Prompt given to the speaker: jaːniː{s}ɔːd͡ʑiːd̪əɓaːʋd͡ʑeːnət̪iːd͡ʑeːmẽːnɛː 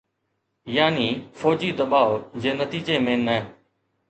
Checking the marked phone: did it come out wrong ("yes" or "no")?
yes